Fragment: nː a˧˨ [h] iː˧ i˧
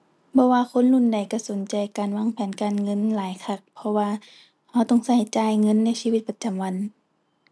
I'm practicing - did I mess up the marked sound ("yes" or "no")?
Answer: yes